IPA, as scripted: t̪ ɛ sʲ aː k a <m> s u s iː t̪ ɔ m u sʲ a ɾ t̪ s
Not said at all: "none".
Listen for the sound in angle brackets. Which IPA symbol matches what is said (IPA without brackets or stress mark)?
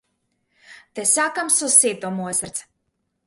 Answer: m